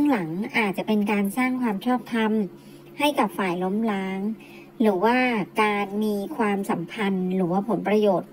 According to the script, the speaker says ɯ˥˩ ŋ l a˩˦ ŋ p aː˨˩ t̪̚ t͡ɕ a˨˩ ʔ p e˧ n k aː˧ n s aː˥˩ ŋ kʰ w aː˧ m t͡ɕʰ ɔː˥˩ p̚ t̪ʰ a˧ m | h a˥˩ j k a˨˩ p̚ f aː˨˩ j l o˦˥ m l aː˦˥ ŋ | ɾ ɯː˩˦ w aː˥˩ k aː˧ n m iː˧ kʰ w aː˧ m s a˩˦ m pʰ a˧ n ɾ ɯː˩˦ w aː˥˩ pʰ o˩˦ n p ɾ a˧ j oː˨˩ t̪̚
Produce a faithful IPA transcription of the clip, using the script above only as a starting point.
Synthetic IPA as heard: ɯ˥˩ ŋ l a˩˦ ŋ ʔ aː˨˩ t̪̚ t͡ɕ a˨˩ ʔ p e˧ n k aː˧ n s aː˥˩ ŋ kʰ w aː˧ m t͡ɕʰ ɔː˥˩ p̚ t̪ʰ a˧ m | h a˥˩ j k a˨˩ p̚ f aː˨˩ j l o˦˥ m l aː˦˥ ŋ | ɾ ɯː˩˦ w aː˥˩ k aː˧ n m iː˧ kʰ w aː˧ m s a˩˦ m pʰ a˧ n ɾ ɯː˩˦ w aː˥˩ pʰ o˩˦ n p ɾ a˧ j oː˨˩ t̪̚